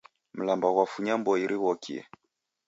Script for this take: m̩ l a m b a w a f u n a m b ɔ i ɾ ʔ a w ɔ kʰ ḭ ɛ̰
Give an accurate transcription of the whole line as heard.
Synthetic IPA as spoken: m̩ l a m b a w a f u ɲ a m b ɔ i ɾ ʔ i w ɔ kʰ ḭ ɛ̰